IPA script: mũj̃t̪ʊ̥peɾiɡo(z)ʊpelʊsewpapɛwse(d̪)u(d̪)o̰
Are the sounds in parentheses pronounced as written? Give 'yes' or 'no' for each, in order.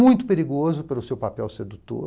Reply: yes, yes, no

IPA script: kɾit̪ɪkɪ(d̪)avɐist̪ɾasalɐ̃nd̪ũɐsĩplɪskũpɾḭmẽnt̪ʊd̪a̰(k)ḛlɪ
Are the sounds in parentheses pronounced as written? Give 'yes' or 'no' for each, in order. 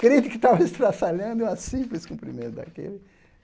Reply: no, yes

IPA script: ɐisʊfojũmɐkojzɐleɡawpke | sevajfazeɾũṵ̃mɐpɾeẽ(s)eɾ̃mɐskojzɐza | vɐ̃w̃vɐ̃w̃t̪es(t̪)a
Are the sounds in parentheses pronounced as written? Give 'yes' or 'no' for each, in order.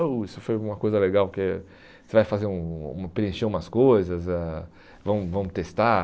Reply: no, yes

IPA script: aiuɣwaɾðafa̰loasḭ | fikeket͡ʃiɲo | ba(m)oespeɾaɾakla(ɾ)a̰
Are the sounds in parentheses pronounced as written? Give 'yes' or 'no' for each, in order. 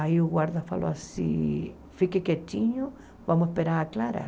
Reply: yes, yes

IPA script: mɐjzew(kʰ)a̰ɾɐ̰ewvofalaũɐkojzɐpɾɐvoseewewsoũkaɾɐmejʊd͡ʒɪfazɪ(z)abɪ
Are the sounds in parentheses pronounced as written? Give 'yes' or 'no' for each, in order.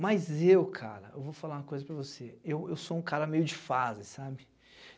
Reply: yes, no

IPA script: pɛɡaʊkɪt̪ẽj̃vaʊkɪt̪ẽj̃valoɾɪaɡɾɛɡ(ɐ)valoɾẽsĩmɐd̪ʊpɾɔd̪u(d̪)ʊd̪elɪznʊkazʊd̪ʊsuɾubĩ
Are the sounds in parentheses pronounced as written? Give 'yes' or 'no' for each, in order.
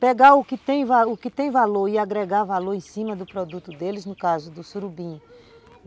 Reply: no, no

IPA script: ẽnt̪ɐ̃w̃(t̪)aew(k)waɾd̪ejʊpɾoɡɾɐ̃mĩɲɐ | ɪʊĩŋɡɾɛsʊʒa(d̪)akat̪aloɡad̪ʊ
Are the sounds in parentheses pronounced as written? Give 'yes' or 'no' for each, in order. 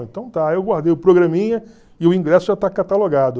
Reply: yes, no, no

